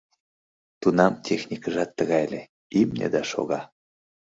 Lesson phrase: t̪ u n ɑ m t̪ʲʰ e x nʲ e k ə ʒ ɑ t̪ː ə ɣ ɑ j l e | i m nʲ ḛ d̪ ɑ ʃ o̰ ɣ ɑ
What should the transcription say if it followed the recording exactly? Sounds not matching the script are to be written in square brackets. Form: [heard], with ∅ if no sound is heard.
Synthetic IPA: t̪ u n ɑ m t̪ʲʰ e x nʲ [i] k ə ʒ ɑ t̪ː ə ɣ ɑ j l e | i m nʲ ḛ d̪ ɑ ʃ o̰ ɣ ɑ